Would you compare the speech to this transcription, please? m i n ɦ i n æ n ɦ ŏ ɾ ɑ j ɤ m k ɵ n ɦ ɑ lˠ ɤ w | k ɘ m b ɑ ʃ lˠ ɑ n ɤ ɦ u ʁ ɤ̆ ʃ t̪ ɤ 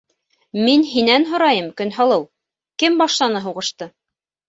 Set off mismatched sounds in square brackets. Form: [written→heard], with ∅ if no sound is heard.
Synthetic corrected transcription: m i n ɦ i n æ n ɦ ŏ ɾ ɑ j ɤ m k ɵ n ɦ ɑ lˠ ɤ w | k ɘ m b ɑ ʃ lˠ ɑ n ɤ ɦ u ʁ ɤ̆ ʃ t̪ ɤ

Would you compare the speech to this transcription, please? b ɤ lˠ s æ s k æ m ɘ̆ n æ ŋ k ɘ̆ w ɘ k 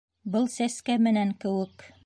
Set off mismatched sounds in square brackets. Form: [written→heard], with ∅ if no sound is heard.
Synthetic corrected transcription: b ɤ lˠ s æ s k æ m ɘ̆ n æ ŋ k ɘ̆ w ɘ k

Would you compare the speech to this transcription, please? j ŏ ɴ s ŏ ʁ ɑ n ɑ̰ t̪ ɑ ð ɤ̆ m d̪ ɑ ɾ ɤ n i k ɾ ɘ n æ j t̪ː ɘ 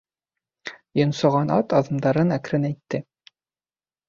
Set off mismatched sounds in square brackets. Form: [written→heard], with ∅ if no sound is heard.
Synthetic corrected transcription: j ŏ [ɴ→n] s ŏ ʁ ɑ n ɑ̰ t̪ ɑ ð ɤ̆ m d̪ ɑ ɾ ɤ n [i→æ] k ɾ ɘ n æ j t̪ː ɘ

